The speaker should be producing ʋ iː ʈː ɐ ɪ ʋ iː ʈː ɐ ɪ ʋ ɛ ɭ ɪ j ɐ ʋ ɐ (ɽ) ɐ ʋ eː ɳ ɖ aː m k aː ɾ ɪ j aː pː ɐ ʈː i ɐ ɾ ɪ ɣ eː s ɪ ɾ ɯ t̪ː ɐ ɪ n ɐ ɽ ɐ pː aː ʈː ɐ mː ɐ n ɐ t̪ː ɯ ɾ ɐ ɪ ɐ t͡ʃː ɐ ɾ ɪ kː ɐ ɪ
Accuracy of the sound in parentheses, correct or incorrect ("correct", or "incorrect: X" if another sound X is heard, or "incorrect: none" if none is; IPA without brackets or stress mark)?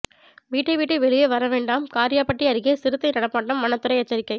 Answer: incorrect: ɾ